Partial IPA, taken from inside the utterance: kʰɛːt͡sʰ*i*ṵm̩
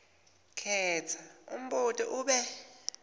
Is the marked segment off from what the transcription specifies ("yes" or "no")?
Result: yes